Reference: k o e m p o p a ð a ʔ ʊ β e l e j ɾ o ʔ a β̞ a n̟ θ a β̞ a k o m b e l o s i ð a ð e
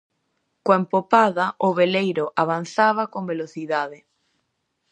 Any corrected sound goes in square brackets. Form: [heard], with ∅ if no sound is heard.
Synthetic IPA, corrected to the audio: k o e m p o p a ð a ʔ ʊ β e l e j ɾ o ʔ a β̞ a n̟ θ a β̞ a k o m b e l o [θ] i ð a ð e